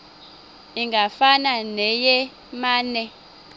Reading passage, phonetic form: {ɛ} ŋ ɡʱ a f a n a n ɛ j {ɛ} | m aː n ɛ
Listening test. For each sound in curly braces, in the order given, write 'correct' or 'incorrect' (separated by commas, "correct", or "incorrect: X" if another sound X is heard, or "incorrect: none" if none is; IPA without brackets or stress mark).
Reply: incorrect: i, correct